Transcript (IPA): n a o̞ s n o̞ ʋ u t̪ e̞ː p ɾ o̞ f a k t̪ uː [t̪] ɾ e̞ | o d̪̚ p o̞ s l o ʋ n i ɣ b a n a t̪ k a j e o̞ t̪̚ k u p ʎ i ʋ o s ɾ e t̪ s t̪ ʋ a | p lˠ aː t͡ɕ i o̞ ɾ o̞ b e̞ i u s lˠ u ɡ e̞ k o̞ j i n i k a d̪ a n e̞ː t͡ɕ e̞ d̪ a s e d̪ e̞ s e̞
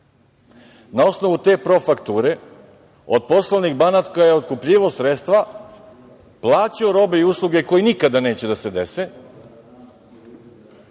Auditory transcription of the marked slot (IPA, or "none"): none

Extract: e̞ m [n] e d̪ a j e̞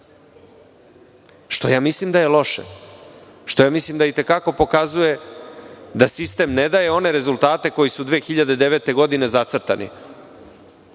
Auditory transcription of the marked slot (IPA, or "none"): n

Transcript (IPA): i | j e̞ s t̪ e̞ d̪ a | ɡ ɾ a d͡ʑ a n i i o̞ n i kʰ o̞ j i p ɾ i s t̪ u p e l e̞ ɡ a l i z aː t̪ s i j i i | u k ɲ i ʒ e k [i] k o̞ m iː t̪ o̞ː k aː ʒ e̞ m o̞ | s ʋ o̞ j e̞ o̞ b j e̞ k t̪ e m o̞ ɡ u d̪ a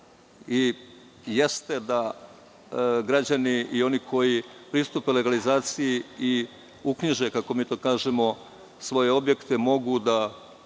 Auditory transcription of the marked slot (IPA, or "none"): a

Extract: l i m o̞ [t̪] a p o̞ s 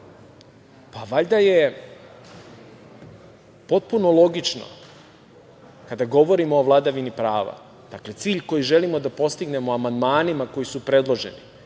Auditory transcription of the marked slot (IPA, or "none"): d̪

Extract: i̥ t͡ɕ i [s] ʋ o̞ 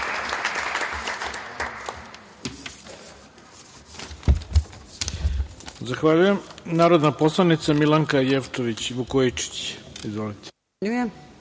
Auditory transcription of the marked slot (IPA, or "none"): z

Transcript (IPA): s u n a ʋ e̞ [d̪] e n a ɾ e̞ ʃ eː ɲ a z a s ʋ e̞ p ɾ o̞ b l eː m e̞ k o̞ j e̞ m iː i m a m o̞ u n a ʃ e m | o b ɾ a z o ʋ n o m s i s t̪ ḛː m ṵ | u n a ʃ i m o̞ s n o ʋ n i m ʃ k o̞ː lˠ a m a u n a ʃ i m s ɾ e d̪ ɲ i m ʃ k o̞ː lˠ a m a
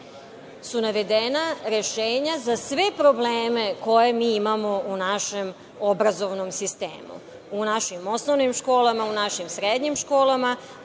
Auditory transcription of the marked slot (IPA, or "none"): d̪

